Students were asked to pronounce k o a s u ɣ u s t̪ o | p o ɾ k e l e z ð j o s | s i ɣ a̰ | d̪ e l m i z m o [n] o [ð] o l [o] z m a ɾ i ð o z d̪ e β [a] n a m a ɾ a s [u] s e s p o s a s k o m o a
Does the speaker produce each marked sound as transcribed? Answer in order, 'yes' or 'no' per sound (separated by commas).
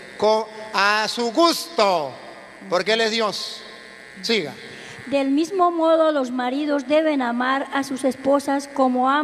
no, yes, yes, no, yes